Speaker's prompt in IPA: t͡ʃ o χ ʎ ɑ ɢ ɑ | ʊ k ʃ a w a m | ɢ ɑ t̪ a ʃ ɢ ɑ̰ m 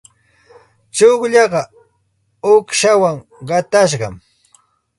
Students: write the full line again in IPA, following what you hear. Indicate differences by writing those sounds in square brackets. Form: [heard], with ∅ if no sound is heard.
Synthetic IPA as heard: t͡ʃ o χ ʎ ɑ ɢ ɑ | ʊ k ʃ a w a [ŋ] | ɢ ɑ t̪ a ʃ ɢ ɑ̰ m